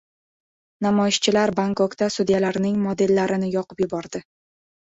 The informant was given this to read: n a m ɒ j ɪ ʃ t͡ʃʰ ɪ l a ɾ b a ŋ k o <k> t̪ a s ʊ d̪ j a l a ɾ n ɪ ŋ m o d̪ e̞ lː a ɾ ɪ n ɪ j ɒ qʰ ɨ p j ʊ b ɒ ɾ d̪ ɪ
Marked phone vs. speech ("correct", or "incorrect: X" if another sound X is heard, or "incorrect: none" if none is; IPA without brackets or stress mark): correct